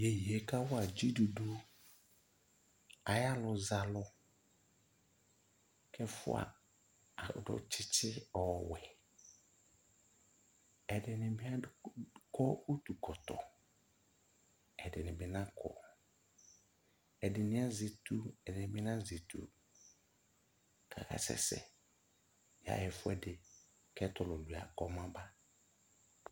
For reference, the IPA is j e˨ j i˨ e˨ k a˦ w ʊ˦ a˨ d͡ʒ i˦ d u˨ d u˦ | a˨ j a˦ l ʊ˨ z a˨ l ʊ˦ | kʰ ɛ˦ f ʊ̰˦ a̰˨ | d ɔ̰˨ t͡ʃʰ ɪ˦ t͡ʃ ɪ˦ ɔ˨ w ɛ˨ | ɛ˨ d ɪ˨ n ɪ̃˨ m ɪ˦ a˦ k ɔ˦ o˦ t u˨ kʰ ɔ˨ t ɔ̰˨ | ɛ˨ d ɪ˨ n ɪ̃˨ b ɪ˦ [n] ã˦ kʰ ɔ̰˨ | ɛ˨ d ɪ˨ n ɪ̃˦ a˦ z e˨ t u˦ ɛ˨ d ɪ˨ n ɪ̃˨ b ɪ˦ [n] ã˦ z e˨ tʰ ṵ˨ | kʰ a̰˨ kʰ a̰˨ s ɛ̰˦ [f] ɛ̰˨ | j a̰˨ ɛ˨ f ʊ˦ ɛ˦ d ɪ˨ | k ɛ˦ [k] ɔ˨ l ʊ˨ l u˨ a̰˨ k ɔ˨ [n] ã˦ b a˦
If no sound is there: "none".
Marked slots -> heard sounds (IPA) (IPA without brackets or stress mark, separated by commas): n, n, s, t, m